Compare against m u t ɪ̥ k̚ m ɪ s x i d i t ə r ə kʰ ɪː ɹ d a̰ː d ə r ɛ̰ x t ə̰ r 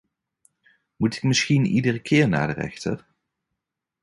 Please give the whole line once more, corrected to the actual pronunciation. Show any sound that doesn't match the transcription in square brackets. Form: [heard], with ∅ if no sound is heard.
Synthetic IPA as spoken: m u t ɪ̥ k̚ m ɪ s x i [n] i [d] ə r ə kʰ ɪː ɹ [n] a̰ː d ə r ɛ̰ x t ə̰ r